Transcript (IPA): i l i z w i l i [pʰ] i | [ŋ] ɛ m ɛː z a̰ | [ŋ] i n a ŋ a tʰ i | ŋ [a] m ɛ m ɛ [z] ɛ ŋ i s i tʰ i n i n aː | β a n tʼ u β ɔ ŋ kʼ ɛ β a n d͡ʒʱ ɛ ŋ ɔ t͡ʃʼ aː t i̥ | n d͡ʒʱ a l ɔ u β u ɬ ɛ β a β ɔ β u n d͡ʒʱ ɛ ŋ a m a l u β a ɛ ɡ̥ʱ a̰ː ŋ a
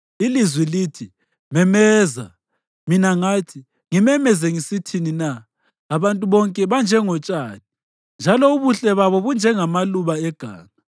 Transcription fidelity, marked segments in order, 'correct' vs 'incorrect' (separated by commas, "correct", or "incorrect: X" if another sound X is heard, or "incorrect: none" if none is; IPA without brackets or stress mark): incorrect: tʰ, incorrect: m, incorrect: m, incorrect: i, correct